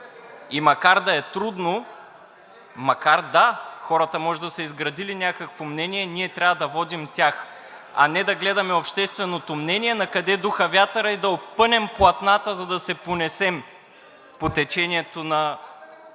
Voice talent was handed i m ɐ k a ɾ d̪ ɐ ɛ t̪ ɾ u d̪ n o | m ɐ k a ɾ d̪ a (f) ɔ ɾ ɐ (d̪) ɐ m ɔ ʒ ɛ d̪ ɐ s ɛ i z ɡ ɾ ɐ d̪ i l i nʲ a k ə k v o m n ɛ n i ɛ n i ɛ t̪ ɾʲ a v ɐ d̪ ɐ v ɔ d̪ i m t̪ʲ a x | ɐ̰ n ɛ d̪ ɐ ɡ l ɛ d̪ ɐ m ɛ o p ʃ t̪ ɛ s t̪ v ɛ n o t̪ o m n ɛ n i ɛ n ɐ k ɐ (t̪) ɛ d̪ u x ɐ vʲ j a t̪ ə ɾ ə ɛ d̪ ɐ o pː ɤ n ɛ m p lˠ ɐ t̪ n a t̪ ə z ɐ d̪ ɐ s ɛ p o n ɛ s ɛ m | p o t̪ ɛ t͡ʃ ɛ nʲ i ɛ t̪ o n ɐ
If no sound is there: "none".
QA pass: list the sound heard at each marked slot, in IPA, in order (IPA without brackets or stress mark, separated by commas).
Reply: x, t̪, d̪